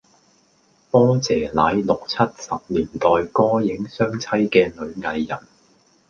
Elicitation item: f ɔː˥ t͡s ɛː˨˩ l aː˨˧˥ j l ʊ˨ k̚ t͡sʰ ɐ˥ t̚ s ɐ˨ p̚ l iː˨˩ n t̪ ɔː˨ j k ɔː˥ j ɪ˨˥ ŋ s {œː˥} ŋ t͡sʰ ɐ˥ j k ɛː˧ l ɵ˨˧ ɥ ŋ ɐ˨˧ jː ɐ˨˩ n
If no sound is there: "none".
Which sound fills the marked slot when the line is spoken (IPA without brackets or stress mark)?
œː˥